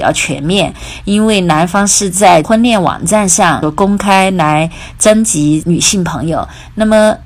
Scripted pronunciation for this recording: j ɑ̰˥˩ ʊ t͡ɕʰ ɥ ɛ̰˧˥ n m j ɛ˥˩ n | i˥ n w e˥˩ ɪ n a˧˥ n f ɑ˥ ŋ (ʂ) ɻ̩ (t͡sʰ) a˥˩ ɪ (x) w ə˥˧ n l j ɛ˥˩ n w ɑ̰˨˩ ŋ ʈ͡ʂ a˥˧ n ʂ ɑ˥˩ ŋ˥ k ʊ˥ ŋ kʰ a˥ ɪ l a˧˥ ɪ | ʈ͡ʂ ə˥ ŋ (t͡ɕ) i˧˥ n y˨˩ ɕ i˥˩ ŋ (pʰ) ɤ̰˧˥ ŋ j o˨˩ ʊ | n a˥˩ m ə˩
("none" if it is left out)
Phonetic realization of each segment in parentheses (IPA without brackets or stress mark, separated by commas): ʂ, t͡s, x, t͡ɕ, pʰ